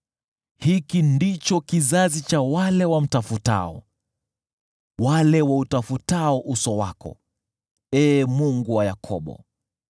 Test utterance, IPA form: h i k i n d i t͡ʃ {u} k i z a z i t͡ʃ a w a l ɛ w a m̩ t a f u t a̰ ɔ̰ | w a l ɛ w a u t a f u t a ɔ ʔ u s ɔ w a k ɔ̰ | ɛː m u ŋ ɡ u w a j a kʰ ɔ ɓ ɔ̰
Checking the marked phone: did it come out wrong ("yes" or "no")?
yes